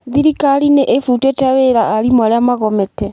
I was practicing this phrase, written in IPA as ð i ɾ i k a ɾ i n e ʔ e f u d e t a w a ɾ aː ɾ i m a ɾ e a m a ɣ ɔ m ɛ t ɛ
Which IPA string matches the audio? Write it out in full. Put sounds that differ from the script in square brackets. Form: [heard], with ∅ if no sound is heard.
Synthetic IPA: ð i ɾ i k a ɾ i n e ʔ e f u [t] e t a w [e] ɾ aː ɾ i m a ɾ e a m a ɣ ɔ m ɛ t ɛ